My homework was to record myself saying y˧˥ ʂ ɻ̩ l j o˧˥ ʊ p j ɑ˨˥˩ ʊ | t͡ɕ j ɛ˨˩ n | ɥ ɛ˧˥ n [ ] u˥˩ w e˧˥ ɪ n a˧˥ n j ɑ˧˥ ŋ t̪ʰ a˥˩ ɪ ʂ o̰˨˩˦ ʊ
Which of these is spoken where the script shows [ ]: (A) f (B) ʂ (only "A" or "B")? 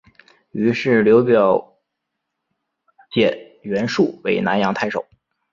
B